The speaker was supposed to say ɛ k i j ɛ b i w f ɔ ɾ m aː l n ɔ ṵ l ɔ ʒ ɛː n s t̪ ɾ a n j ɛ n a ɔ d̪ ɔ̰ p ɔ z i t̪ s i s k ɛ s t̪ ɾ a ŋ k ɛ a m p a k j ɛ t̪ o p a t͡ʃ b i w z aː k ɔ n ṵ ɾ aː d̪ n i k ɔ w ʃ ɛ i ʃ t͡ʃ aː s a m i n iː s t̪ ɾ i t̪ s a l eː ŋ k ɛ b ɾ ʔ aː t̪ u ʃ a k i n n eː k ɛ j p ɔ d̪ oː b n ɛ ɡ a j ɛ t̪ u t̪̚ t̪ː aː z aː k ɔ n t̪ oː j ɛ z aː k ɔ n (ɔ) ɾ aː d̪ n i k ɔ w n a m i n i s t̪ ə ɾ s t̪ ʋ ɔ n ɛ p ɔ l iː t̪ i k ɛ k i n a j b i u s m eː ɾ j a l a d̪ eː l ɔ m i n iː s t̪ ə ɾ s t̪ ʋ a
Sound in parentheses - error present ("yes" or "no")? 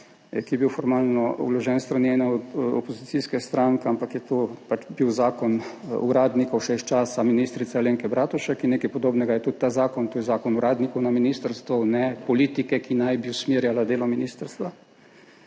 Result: yes